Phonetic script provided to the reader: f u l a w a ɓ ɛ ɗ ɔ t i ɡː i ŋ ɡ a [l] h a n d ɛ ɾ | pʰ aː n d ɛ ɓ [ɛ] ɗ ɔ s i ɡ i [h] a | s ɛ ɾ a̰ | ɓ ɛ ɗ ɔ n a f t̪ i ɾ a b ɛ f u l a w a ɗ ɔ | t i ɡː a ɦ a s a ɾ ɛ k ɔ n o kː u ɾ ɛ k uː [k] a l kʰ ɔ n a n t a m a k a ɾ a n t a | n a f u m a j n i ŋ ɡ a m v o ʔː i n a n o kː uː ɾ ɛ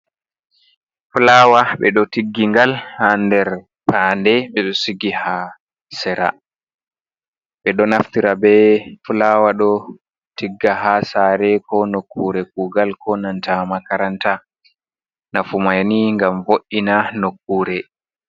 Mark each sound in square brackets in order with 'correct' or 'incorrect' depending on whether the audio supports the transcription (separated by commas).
correct, correct, correct, incorrect